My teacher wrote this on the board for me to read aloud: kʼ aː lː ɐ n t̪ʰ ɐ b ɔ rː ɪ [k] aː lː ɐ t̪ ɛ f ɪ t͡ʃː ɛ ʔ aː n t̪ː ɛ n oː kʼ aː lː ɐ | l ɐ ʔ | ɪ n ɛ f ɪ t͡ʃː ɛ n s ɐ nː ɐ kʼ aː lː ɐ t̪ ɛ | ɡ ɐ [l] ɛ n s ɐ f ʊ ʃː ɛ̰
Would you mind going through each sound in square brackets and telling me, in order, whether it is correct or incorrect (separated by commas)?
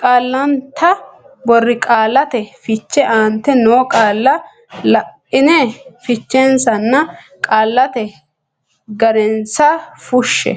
incorrect, incorrect